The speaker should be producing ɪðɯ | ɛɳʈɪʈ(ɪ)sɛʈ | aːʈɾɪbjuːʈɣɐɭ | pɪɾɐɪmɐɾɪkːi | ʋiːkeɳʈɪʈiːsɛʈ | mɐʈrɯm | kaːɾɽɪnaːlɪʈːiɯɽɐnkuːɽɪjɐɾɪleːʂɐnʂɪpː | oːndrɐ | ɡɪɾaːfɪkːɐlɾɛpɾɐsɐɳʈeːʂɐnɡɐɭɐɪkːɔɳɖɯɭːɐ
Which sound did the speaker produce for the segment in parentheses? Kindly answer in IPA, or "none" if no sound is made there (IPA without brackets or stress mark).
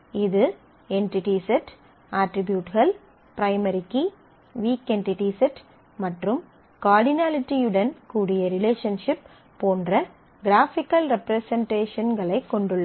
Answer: i